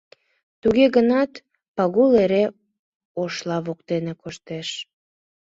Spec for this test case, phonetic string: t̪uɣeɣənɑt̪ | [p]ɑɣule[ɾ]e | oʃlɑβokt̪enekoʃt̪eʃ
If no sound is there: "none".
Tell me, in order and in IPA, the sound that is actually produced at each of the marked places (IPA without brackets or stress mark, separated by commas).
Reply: p, ɾ